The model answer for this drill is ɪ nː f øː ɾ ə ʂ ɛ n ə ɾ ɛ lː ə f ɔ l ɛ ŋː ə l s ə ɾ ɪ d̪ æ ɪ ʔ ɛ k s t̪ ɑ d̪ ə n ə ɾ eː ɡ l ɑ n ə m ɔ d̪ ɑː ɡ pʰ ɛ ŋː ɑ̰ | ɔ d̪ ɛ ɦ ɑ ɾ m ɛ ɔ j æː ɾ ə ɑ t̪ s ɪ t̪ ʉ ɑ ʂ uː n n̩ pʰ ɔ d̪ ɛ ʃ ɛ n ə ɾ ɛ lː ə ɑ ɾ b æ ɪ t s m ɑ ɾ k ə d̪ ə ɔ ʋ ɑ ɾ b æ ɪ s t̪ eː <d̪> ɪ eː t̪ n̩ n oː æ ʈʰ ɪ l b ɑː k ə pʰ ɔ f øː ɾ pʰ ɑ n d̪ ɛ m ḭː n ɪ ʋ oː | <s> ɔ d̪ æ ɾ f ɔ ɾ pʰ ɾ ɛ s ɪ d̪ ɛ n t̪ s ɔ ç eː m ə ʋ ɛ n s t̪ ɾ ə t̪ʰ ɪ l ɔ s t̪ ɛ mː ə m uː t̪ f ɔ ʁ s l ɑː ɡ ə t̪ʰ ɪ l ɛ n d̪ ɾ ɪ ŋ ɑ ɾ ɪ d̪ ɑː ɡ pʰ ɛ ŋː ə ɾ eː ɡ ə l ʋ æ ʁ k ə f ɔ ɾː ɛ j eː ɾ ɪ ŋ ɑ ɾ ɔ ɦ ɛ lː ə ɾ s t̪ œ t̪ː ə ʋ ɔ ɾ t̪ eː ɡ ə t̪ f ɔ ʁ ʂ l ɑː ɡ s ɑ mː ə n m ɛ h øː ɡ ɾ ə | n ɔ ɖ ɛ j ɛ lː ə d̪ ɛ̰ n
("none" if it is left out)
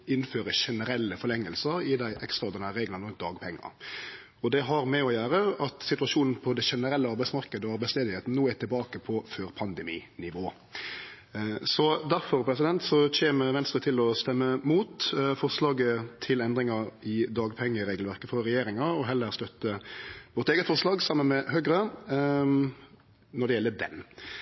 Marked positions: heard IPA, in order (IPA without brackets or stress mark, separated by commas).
d̪, s